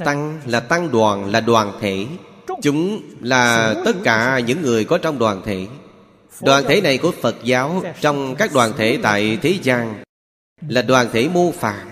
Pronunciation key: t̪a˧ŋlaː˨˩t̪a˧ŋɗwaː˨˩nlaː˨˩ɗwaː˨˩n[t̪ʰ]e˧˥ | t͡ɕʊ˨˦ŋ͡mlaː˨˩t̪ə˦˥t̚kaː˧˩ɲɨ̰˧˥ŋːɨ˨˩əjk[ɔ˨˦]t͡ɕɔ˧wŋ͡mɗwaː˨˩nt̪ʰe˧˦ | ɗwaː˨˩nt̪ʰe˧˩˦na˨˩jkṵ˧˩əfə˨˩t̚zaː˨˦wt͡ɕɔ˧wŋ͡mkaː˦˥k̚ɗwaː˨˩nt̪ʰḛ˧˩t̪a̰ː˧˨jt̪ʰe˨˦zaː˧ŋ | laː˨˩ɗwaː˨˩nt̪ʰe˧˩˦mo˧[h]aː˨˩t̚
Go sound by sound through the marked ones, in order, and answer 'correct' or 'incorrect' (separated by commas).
correct, correct, incorrect